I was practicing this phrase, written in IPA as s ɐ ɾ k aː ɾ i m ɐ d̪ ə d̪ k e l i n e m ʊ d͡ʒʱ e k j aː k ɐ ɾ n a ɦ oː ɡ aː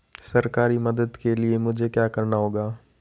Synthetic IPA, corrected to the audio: s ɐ ɾ k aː ɾ i m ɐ d̪ ə d̪ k e l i e m ʊ d͡ʒʱ e k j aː k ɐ ɾ n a ɦ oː ɡ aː